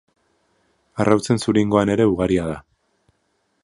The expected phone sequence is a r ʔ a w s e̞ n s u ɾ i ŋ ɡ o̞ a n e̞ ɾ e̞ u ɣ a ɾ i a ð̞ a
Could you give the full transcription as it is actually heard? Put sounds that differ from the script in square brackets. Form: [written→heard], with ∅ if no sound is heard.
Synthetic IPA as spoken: a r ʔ a w [s→t͡s] e̞ n s u ɾ i ŋ ɡ o̞ a n e̞ ɾ e̞ u ɣ a ɾ i a ð̞ a